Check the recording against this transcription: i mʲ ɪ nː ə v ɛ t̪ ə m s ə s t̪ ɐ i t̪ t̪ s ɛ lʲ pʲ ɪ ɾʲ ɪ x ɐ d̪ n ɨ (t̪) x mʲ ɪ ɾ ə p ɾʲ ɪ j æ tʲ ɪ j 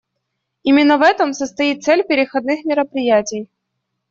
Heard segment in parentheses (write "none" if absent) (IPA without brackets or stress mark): none